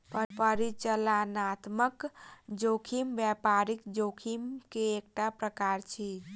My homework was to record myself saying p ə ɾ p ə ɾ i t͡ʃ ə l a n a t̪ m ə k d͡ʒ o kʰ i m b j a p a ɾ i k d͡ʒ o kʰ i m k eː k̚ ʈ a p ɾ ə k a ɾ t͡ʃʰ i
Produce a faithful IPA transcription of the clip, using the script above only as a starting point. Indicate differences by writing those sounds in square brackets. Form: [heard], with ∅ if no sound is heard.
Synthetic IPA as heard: p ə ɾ p ə ɾ i t͡ʃ ə l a n a t̪ m ə k d͡ʒ o kʰ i m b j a p a ɾ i k d͡ʒ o kʰ i m k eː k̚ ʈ a p ɾ ə k a ɾ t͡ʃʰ i